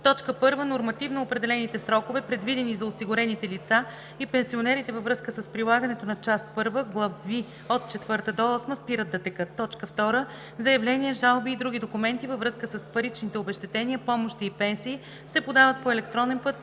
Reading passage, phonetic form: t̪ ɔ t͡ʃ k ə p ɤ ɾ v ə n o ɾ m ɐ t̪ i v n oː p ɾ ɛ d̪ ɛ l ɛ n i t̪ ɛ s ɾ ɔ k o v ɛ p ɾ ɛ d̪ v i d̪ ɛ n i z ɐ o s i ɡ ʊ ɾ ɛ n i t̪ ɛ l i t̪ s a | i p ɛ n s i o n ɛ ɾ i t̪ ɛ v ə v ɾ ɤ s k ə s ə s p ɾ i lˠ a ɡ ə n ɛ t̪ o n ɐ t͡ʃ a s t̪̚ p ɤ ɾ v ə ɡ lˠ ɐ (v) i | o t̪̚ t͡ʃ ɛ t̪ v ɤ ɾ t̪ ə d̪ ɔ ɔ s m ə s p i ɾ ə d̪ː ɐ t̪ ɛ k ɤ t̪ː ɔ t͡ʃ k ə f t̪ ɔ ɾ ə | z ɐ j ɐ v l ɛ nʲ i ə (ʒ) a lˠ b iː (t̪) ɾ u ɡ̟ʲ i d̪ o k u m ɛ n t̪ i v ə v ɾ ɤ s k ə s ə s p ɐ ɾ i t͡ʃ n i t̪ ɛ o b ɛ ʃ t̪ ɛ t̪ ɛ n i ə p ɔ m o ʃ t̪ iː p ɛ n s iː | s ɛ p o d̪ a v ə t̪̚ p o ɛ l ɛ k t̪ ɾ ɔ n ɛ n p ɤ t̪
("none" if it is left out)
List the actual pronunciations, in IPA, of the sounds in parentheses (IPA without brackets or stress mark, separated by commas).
v, ʒ, d̪